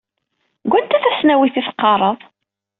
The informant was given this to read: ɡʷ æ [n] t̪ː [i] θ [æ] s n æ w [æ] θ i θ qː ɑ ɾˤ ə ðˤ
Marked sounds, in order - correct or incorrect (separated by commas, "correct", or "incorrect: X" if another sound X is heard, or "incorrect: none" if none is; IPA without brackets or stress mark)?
correct, incorrect: æ, correct, incorrect: i